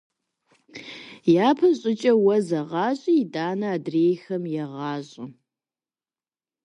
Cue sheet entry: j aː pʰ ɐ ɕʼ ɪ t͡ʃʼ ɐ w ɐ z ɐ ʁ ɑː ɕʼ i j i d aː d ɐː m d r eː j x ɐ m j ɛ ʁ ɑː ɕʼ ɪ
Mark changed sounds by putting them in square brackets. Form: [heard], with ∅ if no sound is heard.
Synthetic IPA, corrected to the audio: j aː pʰ ɐ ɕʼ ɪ t͡ʃʼ ɐ w ɐ z ɐ ʁ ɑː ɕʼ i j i d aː [n] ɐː [∅] d r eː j x ɐ m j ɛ ʁ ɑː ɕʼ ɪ

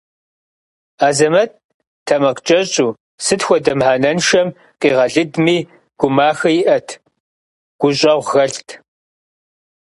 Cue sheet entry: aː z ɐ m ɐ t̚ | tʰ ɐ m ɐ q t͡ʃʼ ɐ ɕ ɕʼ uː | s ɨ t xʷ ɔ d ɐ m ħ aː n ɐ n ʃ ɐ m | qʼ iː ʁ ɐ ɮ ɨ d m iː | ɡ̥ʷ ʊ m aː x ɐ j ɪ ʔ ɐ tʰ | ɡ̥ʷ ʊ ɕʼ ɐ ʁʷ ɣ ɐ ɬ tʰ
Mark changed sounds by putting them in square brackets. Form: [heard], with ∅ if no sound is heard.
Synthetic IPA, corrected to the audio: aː z ɐ m ɐ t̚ | tʰ ɐ m ɐ q t͡ʃʼ ɐ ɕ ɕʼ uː | s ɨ t xʷ ɔ d ɐ m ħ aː n ɐ n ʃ ɐ m | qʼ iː ʁ ɐ ɮ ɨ d m iː | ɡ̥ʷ ʊ m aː x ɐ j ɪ ʔ ɐ tʰ | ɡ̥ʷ ʊ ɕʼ ɐ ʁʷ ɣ ɐ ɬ tʰ

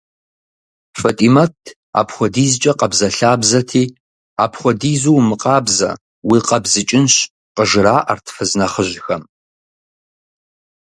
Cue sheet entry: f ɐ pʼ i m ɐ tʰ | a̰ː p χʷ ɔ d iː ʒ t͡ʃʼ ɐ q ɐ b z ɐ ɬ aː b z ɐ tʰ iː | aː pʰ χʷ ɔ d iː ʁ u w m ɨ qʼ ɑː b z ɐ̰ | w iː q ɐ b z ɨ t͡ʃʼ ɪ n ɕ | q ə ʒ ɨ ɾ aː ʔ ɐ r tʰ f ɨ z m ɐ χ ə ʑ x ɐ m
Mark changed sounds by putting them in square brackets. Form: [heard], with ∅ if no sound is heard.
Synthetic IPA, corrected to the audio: f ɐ [tʼ] i m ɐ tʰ | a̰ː p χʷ ɔ d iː [z] t͡ʃʼ ɐ q ɐ b z ɐ ɬ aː b z ɐ tʰ iː | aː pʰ χʷ ɔ d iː [z] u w m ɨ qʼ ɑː b z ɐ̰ | w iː q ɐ b z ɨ t͡ʃʼ ɪ n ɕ | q ə ʒ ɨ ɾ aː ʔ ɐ r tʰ f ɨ z [n] ɐ χ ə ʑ x ɐ m

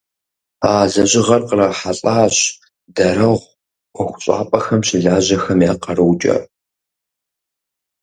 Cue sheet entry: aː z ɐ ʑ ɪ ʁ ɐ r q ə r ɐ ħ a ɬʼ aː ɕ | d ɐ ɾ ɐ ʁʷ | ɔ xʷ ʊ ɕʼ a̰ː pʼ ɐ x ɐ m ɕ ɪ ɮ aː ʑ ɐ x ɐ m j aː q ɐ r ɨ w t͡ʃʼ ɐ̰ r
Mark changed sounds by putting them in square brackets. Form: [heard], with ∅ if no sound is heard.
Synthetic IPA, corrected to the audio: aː z ɐ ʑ ɪ ʁ ɐ r q ə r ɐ ħ a ɬʼ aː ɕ | d ɐ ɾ ɐ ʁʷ | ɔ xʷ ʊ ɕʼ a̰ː pʼ ɐ x ɐ m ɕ ɪ ɮ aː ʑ ɐ x ɐ m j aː q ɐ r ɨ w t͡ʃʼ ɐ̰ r

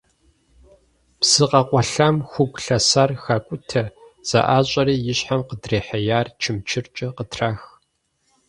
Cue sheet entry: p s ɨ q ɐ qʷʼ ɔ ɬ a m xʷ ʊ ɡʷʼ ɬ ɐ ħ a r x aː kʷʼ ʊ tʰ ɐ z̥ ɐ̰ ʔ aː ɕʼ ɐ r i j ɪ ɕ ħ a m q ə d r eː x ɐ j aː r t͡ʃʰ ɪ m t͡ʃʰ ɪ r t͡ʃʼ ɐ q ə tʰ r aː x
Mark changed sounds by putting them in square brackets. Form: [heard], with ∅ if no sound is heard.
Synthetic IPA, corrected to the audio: p s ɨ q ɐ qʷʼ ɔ ɬ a m xʷ ʊ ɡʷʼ ɬ ɐ [s] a r x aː kʷʼ ʊ tʰ ɐ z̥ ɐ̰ ʔ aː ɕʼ ɐ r [iː] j ɪ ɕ ħ a m q ə d r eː [ħ] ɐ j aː r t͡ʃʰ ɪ m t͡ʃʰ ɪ r t͡ʃʼ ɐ q ə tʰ r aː x

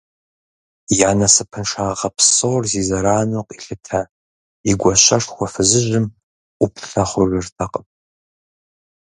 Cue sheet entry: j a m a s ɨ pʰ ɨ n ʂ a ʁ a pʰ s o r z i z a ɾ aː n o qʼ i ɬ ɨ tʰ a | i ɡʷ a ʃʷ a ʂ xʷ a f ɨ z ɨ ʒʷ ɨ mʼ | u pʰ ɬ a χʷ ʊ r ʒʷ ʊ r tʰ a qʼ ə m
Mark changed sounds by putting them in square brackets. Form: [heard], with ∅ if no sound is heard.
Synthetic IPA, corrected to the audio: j a [n] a s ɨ pʰ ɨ n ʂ a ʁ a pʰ s o r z i z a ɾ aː n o qʼ i ɬ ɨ tʰ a | i ɡʷ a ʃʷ a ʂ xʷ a f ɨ z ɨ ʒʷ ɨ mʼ | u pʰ ɬ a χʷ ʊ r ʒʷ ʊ r tʰ a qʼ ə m

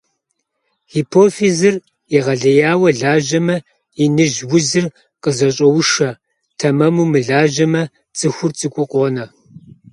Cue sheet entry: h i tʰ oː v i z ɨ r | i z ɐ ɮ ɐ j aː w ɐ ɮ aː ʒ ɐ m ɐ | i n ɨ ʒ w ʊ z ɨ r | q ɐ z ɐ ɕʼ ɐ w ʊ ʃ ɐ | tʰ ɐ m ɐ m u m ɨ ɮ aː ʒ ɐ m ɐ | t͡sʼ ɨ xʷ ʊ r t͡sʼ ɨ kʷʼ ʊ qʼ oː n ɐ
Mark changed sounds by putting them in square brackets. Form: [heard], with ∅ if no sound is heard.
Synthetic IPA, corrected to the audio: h i [pʰ] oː [f] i z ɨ r | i [ʁ] ɐ ɮ ɐ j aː w ɐ ɮ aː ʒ ɐ m ɐ | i n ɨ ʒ w ʊ z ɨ r | q [ə] z ɐ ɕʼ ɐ w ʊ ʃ ɐ | tʰ ɐ m ɐ m u m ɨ ɮ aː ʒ ɐ m ɐ | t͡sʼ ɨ xʷ ʊ r t͡sʼ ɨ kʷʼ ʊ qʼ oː n ɐ

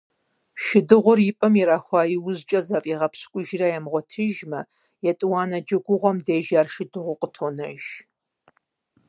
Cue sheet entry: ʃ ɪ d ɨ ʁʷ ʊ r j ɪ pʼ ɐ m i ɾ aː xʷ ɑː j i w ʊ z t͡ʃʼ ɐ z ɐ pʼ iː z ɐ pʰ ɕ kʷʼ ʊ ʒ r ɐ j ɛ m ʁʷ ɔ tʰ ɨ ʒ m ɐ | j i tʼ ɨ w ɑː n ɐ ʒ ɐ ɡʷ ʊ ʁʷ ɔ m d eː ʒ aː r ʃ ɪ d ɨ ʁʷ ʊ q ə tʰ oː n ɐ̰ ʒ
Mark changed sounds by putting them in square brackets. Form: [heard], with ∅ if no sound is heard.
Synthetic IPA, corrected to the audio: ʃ ɪ d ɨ ʁʷ ʊ r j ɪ pʼ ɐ m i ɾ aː xʷ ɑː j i w ʊ z t͡ʃʼ ɐ z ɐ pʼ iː [ʁ] ɐ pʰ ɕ kʷʼ ʊ ʒ r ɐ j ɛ m ʁʷ ɔ tʰ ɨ ʒ m ɐ | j [ɛ] tʼ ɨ w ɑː n ɐ [d͡ʒ] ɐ ɡʷ ʊ ʁʷ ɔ m d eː ʒ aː r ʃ ɪ d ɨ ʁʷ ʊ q ə tʰ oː n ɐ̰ ʒ

